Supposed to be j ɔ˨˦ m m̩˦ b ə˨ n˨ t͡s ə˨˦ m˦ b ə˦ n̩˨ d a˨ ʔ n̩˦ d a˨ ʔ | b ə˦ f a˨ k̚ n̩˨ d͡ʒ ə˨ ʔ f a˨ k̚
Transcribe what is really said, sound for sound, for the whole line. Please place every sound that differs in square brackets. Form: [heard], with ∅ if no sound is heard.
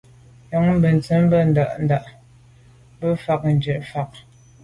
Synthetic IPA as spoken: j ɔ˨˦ [ŋ] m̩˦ b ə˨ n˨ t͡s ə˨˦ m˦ b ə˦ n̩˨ d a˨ ʔ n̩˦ d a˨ ʔ | b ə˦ f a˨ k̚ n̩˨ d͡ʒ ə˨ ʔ f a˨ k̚